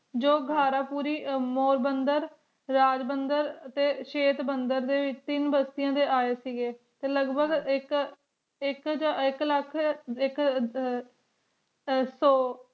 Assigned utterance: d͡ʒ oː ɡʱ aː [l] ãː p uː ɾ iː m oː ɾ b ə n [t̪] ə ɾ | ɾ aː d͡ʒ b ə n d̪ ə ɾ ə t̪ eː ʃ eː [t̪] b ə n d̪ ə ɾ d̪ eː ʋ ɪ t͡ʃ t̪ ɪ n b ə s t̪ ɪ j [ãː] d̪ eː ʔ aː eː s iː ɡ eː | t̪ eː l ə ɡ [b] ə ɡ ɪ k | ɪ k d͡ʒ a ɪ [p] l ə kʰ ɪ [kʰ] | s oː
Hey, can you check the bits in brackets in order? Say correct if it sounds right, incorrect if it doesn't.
incorrect: ɾ, incorrect: d̪, correct, correct, correct, incorrect: k, incorrect: k

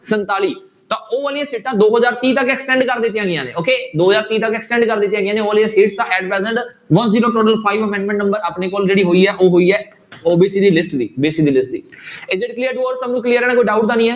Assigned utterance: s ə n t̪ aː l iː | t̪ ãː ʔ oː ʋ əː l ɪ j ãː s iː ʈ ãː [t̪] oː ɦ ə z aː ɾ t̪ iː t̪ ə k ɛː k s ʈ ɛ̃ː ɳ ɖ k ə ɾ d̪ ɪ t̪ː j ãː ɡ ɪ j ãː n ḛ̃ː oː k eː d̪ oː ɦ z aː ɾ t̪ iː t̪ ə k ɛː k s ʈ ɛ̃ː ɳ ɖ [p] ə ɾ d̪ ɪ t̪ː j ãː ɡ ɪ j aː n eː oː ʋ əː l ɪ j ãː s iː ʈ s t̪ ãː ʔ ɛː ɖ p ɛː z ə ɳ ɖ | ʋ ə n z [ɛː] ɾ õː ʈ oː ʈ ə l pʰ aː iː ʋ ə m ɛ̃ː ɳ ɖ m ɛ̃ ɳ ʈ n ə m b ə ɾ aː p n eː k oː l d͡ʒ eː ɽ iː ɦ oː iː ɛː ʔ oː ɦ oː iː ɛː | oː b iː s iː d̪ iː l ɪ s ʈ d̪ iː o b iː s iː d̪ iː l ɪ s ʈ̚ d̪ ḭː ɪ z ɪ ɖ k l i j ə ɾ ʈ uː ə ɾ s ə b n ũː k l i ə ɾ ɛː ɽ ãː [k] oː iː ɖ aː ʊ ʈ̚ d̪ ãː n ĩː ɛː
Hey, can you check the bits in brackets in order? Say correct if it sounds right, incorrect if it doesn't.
incorrect: d̪, incorrect: k, incorrect: iː, correct

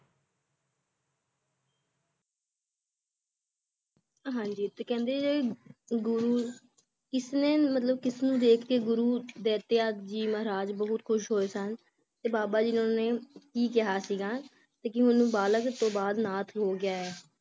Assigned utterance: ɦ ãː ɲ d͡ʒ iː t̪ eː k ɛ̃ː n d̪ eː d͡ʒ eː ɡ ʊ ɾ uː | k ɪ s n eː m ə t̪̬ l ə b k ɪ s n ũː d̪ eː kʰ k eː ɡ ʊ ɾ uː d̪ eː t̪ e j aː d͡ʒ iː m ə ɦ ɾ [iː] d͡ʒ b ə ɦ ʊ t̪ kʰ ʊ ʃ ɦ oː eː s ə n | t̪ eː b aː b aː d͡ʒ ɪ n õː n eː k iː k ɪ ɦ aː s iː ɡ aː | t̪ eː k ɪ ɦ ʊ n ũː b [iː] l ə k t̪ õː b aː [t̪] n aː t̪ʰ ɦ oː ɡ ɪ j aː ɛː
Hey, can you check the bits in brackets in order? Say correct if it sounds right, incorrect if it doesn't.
incorrect: aː, incorrect: aː, incorrect: d̪

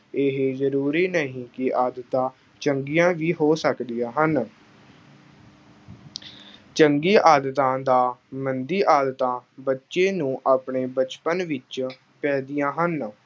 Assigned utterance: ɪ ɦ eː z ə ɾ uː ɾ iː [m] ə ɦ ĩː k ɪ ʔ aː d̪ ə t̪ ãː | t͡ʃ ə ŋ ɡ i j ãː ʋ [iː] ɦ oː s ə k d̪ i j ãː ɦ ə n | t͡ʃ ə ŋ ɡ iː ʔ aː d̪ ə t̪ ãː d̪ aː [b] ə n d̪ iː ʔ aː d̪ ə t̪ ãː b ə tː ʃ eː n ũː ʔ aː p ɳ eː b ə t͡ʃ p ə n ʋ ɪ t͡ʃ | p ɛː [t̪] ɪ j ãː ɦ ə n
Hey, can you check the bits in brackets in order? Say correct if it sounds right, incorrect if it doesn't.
incorrect: n, correct, incorrect: m, incorrect: d̪

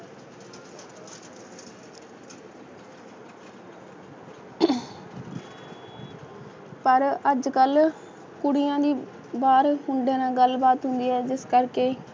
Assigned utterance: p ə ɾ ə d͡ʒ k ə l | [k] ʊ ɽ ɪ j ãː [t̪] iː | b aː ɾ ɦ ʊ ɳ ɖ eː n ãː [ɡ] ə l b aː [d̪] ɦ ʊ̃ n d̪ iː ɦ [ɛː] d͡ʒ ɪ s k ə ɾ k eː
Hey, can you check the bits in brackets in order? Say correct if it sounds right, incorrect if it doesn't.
correct, incorrect: d̪, correct, incorrect: t̪, correct

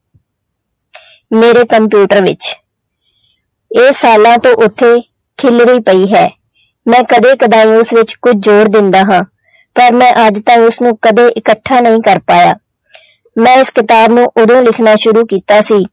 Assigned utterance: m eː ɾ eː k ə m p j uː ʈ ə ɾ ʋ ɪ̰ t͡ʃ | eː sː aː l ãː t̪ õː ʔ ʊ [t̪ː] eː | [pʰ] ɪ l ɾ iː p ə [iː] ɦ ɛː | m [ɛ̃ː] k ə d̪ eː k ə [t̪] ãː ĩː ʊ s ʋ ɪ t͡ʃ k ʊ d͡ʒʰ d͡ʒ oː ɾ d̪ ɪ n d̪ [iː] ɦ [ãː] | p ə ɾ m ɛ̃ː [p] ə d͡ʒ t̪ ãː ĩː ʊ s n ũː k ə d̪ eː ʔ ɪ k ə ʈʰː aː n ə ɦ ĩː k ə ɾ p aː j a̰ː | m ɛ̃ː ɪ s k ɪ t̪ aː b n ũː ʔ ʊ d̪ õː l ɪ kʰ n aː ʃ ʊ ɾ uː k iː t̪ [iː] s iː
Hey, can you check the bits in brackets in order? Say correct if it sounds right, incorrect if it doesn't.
incorrect: t̪ʰː, incorrect: kʰ, correct, correct, incorrect: d̪, incorrect: aː, correct, incorrect: ʔ, incorrect: aː

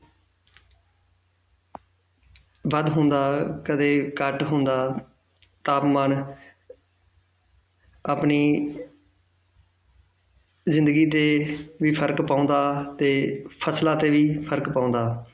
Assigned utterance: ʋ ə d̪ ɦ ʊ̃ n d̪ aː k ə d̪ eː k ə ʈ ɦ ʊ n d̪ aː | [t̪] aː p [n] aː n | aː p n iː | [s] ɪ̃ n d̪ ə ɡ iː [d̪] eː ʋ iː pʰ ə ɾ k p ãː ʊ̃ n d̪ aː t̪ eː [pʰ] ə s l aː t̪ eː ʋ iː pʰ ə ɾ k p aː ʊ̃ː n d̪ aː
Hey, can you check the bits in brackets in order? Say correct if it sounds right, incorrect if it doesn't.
correct, incorrect: m, incorrect: z, incorrect: t̪, correct

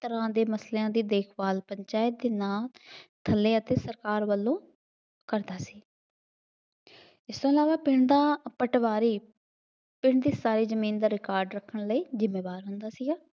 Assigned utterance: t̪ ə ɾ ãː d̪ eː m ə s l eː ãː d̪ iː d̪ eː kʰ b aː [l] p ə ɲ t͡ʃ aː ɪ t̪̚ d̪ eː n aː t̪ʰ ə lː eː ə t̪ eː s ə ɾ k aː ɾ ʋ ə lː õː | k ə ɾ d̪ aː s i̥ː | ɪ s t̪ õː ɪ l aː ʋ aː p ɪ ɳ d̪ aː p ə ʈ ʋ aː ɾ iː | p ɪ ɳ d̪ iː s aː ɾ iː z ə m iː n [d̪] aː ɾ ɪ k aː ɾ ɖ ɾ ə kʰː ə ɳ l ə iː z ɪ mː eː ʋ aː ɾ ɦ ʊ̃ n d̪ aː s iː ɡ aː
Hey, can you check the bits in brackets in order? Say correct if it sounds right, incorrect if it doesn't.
correct, correct

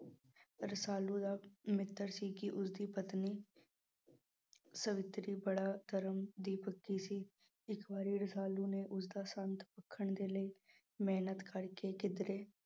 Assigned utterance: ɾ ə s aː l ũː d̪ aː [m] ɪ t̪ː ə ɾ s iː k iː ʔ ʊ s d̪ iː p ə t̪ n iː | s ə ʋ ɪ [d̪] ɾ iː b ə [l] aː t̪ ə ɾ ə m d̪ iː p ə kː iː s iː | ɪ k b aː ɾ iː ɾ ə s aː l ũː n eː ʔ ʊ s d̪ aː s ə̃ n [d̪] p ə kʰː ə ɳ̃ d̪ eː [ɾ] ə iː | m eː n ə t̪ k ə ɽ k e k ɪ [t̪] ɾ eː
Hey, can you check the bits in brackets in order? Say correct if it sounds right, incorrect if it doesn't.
correct, incorrect: t̪, incorrect: ɽ, incorrect: t̪, incorrect: l, incorrect: d̪

